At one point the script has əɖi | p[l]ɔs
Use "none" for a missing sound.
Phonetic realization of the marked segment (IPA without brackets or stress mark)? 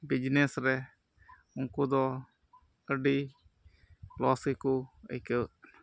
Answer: l